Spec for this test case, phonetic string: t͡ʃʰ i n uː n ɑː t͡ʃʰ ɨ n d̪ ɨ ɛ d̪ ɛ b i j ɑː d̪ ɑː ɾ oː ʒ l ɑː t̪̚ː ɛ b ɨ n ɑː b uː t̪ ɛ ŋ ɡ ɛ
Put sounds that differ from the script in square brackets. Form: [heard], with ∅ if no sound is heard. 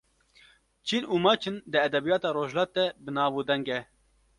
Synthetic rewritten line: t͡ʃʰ i n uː [m] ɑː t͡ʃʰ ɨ n d̪ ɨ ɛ d̪ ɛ b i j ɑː [t̪] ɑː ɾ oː ʒ l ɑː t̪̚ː ɛ b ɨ n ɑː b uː [d̪] ɛ ŋ ɡ ɛ